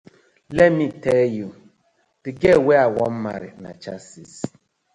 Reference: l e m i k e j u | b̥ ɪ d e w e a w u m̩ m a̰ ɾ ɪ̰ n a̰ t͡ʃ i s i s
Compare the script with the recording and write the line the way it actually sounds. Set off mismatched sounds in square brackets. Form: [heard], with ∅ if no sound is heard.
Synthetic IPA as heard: l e m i [t] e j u | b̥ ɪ [ɡ] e w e a w [ɔ] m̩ m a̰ ɾ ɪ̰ n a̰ t͡ʃ [a] s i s